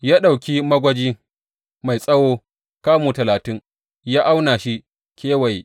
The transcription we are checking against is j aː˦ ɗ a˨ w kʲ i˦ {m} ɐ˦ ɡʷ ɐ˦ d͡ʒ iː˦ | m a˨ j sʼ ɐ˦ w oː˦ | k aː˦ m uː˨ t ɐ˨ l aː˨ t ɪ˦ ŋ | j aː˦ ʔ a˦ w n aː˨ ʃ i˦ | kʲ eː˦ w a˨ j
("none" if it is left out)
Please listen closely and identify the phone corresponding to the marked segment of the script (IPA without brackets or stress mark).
m